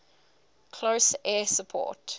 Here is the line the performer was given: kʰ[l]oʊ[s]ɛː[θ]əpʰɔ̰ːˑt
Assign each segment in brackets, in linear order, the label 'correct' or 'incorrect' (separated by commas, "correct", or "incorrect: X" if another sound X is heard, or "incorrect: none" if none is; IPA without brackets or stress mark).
correct, correct, incorrect: s